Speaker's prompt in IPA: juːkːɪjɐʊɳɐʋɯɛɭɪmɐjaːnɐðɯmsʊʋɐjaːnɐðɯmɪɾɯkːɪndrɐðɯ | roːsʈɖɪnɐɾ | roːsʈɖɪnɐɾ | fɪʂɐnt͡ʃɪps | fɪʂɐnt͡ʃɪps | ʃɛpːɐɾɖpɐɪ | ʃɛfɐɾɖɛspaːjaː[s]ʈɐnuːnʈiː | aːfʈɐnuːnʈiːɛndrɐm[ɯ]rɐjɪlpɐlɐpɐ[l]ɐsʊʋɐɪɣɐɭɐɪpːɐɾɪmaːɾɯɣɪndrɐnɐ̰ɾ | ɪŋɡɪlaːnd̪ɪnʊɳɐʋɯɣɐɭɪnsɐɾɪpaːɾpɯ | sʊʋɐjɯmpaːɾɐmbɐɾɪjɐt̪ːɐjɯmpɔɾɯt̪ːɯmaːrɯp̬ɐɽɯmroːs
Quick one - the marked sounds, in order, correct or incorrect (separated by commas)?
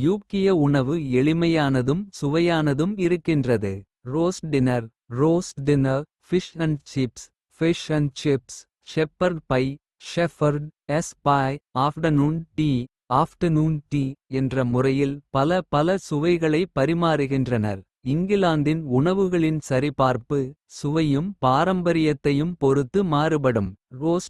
incorrect, incorrect, correct